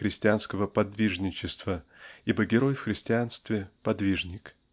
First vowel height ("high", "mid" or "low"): high